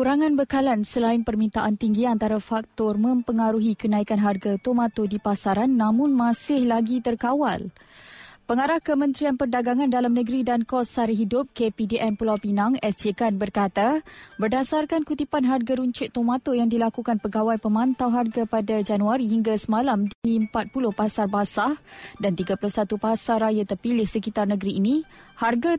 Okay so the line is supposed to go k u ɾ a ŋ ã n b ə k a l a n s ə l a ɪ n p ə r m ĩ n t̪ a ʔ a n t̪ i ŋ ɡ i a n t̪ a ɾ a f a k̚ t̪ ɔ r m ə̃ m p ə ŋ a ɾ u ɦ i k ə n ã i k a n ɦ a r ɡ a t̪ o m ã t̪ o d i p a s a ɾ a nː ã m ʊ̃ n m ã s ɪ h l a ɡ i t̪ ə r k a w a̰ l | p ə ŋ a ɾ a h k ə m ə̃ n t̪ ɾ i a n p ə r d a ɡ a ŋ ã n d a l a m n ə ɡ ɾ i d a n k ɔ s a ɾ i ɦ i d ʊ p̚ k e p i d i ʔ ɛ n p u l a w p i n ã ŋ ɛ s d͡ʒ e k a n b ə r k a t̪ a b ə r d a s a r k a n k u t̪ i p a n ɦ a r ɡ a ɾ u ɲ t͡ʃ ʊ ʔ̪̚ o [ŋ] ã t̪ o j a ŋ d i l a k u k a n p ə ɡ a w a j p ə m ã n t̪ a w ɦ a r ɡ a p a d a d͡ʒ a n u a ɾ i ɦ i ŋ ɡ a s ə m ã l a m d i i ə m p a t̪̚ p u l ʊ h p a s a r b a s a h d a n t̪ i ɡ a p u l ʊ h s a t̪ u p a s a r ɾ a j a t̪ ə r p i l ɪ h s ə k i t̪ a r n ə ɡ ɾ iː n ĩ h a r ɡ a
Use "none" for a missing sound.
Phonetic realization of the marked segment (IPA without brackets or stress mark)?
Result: m